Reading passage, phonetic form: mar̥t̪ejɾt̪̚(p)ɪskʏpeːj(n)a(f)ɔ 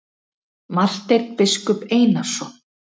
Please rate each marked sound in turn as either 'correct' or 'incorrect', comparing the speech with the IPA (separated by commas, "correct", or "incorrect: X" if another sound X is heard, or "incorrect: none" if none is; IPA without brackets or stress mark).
correct, correct, incorrect: s